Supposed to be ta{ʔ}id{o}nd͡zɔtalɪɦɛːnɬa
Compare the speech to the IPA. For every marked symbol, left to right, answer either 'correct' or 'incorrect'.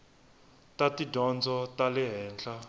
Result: incorrect: t, incorrect: ɔ

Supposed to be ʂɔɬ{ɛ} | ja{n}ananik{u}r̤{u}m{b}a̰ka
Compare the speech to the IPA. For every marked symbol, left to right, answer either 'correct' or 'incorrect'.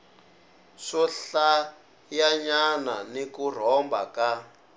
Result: incorrect: a, incorrect: ɲ, correct, incorrect: ɔ, correct

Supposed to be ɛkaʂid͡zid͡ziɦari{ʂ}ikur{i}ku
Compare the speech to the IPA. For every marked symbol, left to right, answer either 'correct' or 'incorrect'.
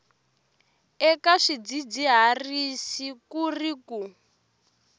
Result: incorrect: s, correct

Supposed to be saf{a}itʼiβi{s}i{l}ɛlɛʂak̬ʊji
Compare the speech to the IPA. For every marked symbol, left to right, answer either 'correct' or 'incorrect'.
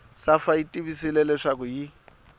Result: correct, correct, correct

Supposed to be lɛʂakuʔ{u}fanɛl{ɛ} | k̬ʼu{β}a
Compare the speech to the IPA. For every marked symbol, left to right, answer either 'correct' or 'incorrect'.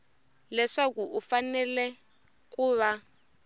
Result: correct, correct, correct

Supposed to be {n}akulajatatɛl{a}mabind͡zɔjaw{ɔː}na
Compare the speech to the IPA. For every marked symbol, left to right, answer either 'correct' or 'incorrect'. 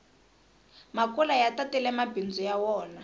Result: incorrect: m, incorrect: ɛ, correct

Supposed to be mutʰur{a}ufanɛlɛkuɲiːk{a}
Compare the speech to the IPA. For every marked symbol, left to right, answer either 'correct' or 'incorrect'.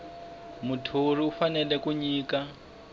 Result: incorrect: i, correct

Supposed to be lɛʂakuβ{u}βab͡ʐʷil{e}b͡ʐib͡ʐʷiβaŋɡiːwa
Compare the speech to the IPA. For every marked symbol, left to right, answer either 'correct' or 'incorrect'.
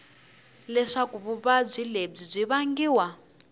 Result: correct, correct

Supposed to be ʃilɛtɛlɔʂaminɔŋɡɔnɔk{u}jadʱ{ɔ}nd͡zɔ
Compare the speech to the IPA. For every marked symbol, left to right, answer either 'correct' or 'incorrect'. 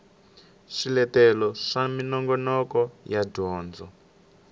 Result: incorrect: ɔ, incorrect: ɔː

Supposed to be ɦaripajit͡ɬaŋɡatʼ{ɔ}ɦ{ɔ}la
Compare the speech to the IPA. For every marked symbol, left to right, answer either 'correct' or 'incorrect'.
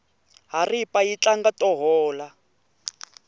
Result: correct, incorrect: ɔː

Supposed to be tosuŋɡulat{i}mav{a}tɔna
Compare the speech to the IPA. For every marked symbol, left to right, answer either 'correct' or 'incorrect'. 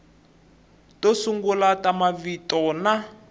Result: incorrect: a, incorrect: i

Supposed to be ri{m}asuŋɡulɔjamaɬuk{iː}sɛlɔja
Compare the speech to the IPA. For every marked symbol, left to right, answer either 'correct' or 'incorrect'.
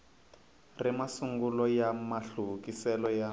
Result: correct, incorrect: i

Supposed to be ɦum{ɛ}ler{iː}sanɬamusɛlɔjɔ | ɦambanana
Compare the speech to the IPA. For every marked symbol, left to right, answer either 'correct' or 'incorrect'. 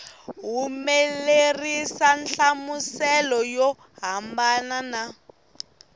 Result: incorrect: e, incorrect: i

